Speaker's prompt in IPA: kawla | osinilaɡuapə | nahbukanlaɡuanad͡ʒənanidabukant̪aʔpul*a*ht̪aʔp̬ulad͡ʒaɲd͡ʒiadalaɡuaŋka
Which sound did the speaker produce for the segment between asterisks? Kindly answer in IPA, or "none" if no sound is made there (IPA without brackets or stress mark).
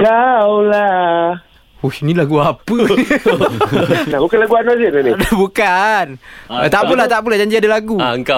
a